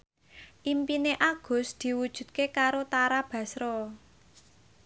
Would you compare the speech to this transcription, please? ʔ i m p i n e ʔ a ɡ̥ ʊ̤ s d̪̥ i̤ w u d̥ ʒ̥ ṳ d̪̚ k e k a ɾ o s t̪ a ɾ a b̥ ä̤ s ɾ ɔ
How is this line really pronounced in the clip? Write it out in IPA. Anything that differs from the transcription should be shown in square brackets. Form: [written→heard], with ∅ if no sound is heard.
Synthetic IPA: ʔ i m p i n e ʔ a ɡ̥ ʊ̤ s d̪̥ i̤ w u d̥ ʒ̥ ṳ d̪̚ k e k a ɾ o [s→∅] t̪ a ɾ a b̥ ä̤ s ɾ ɔ